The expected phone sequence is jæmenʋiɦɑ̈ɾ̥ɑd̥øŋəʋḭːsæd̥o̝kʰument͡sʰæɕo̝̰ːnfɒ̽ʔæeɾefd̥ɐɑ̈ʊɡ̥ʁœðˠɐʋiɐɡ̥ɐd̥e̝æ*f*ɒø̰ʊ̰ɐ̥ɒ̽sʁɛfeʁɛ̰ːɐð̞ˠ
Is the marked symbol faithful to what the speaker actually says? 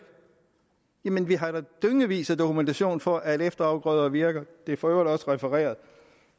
yes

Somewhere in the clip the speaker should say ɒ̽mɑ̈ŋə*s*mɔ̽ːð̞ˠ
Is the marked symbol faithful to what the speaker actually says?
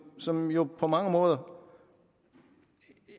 no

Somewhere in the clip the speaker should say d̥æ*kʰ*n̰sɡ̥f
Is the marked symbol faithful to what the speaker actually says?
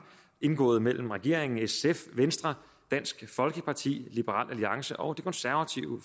no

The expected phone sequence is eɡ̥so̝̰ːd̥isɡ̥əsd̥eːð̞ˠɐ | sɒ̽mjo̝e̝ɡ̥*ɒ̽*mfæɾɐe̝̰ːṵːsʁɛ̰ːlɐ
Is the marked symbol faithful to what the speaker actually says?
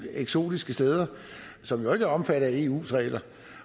yes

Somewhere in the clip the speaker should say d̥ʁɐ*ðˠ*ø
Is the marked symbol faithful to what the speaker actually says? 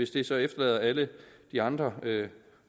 no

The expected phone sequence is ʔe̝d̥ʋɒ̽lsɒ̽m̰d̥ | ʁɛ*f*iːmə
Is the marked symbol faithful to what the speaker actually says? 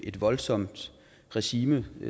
no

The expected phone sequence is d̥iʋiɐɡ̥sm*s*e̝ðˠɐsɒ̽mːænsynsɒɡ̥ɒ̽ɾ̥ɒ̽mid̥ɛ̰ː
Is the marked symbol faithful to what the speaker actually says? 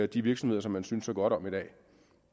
no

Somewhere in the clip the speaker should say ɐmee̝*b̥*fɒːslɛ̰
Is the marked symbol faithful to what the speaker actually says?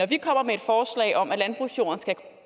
no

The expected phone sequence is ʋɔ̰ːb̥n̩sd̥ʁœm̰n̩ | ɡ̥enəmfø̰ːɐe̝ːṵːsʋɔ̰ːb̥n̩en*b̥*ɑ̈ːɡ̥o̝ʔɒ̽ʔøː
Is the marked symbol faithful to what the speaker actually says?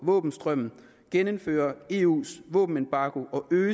yes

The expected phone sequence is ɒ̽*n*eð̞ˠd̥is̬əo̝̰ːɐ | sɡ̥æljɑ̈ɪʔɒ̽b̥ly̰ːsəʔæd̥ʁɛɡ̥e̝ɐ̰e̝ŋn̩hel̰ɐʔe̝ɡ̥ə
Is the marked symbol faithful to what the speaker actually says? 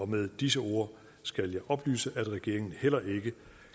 no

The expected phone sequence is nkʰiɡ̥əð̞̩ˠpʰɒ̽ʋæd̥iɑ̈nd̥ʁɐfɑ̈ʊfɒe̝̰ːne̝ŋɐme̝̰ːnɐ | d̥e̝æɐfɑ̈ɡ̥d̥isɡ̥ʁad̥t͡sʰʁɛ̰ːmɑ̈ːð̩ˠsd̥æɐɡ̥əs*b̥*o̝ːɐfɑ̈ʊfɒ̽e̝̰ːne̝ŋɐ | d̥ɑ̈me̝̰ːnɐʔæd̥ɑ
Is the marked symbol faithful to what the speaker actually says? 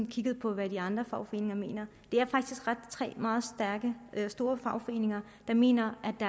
no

